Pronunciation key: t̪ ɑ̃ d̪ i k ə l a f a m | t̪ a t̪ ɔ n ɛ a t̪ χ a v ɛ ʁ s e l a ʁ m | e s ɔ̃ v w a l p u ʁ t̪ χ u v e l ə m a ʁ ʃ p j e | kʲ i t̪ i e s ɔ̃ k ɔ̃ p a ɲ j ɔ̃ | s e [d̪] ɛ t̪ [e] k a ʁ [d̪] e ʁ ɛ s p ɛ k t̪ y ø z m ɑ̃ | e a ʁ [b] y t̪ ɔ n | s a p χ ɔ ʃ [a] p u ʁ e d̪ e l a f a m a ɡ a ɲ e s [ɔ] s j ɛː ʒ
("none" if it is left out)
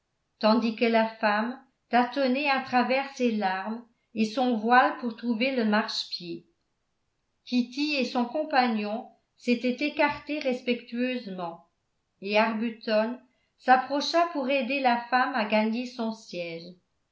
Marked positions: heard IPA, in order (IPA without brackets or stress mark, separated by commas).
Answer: t̪, e, t̪, b, a, ɔ̃